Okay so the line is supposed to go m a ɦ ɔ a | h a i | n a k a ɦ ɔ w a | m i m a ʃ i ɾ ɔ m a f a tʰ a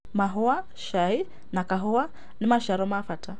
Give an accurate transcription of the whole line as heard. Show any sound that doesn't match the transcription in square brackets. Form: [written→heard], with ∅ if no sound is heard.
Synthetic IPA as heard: m a ɦ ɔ a | [h→ʃ] a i | n a k a ɦ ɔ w a | [m→n] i m a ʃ [i→a] ɾ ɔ m a f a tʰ a